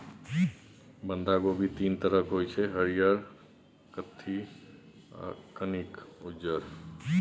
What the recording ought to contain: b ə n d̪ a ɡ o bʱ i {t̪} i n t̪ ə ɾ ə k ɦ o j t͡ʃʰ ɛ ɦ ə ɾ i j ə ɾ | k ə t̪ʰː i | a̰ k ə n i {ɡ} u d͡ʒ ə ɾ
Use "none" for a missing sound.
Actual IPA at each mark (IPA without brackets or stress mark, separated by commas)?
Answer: t̪, k